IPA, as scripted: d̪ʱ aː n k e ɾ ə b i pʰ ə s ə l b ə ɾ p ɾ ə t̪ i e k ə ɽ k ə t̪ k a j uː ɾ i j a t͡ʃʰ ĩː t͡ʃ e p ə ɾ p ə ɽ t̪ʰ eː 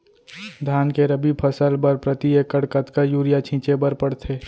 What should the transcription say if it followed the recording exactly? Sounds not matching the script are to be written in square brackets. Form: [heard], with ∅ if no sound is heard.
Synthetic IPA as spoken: d̪ʱ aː n k e ɾ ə b i pʰ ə s ə l b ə ɾ p ɾ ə t̪ i e k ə ɽ k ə t̪ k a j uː ɾ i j a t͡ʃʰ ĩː t͡ʃ e [b] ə ɾ p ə ɽ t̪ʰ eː